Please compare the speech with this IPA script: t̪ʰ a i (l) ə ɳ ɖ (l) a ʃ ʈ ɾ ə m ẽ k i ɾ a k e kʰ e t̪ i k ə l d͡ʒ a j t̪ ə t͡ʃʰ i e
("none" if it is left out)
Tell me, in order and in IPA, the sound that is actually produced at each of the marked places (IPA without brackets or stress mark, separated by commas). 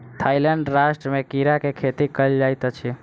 l, ɾ